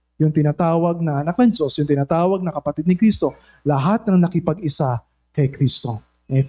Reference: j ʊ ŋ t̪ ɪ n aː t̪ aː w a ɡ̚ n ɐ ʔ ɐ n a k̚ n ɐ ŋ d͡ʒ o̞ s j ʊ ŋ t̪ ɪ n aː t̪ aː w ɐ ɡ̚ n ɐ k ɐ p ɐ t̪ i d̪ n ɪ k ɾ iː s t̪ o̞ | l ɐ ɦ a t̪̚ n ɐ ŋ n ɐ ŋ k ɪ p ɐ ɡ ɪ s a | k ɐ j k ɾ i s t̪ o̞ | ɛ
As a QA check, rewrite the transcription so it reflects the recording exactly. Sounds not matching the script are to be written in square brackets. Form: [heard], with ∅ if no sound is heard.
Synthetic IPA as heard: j ʊ ŋ t̪ ɪ n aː t̪ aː w [ɐ] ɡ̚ n ɐ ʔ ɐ n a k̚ n ɐ ŋ d͡ʒ o̞ s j ʊ ŋ t̪ ɪ n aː t̪ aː w ɐ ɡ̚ n ɐ k ɐ p ɐ t̪ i d̪ n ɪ k ɾ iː s t̪ o̞ | l ɐ ɦ a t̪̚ n ɐ ŋ n ɐ [∅] k ɪ p ɐ ɡ ɪ s a | k ɐ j k ɾ i s t̪ o̞ | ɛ